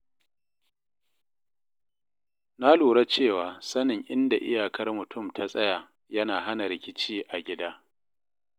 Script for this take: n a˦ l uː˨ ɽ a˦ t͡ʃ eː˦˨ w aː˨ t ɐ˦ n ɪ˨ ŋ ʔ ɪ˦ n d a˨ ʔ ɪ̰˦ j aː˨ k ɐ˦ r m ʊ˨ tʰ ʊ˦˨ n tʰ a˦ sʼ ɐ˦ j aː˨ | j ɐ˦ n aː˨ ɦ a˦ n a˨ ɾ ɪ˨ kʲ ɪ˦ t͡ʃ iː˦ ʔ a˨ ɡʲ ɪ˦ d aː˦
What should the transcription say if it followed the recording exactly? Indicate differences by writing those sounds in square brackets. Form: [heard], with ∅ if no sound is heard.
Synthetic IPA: n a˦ l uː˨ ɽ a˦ t͡ʃ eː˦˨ w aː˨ [s] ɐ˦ n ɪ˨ ŋ ʔ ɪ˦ n d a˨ ʔ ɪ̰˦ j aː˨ k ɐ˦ r m ʊ˨ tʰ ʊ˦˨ [m] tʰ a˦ sʼ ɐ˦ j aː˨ | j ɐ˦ n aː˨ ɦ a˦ n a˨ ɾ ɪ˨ kʲ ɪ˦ t͡ʃ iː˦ ʔ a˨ ɡʲ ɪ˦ d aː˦